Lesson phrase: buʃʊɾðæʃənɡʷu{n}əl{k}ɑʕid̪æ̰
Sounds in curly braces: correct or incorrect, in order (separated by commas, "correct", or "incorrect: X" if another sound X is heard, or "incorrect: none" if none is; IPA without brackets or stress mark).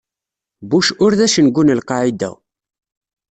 correct, incorrect: q